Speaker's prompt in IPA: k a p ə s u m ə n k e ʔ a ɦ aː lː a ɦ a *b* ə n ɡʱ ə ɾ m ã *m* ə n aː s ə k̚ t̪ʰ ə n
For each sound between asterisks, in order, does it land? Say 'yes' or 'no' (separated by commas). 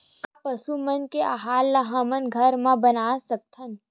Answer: no, no